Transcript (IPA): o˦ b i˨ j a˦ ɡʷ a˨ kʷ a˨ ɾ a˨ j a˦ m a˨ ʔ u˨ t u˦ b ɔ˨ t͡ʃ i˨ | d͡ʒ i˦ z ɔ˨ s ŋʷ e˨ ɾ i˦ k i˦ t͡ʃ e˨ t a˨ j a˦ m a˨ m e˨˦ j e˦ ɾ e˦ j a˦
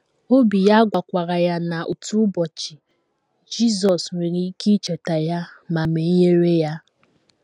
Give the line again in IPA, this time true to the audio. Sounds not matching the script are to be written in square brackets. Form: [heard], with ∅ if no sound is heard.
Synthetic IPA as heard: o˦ b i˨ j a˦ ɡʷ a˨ kʷ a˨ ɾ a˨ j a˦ [n] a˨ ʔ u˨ t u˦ b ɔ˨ t͡ʃ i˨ | d͡ʒ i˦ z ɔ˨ s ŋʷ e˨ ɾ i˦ k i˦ t͡ʃ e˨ t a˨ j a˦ m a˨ m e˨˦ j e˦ ɾ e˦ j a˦